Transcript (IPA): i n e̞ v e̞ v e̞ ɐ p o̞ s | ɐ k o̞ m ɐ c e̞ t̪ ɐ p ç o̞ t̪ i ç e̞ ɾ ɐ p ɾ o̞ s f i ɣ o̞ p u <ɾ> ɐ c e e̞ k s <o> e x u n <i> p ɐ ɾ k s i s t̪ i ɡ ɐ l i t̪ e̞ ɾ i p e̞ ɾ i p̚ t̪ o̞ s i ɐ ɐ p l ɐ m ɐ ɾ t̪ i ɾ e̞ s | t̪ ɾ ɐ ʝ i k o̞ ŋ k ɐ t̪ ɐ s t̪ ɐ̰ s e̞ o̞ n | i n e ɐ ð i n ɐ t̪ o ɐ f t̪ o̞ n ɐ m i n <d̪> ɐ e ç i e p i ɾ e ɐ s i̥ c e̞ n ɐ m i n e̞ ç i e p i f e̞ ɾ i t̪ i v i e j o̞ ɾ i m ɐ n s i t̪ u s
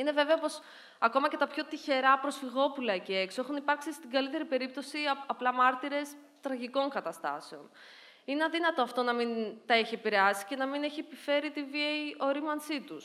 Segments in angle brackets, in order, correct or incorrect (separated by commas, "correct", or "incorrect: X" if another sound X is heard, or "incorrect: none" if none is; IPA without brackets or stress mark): incorrect: l, correct, correct, incorrect: t̪